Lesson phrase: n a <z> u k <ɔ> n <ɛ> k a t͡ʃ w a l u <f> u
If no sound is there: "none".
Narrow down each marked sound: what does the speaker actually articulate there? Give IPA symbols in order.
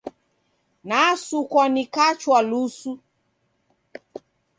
s, ɔ, i, s

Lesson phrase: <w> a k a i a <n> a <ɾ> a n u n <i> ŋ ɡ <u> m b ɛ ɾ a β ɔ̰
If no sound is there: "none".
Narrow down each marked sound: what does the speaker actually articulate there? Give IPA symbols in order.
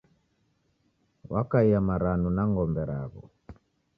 w, m, ɾ, a, ɔ

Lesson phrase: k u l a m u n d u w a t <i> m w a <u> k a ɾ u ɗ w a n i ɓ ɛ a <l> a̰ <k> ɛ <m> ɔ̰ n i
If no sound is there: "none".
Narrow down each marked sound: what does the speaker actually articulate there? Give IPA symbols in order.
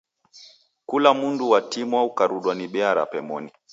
i, u, ɾ, p, m

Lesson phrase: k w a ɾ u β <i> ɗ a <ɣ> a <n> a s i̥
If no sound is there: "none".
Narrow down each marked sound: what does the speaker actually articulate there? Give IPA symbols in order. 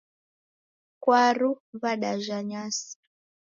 a, ʒ, ɲ

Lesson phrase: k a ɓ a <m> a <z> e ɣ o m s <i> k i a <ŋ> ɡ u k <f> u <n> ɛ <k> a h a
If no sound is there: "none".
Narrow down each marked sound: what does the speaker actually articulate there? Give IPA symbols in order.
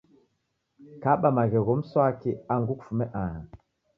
m, ɣ, a, ŋ, f, m, ʔ

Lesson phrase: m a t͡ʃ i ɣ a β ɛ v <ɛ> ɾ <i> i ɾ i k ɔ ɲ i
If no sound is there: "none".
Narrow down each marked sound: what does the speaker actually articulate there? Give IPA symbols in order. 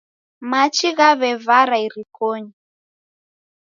a, a

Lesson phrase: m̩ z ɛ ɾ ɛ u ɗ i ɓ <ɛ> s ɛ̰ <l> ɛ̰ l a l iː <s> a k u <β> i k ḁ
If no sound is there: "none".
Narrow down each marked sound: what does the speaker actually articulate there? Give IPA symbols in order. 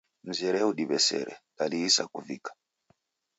ɛ, ɾ, s, v

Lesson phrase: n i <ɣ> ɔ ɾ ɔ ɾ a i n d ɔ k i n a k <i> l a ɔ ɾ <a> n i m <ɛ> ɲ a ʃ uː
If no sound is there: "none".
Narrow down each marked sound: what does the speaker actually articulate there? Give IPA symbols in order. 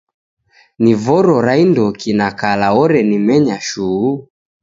v, a, ɛ, ɛ

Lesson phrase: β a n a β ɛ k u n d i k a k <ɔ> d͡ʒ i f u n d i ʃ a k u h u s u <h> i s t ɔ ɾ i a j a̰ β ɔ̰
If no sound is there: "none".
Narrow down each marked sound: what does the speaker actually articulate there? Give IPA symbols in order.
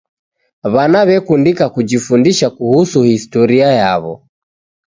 u, h

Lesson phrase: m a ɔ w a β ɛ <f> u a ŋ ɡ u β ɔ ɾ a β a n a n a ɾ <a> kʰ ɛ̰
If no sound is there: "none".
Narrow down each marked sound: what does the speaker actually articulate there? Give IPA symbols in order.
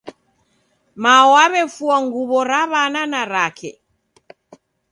f, a

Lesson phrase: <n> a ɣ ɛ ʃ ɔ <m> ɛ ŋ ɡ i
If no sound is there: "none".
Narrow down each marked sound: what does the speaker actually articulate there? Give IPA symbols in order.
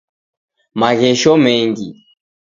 m, m

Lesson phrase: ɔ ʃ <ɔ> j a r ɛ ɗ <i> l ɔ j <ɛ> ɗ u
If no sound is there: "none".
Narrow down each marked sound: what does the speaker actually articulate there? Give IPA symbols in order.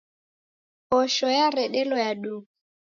ɔ, ɛ, a

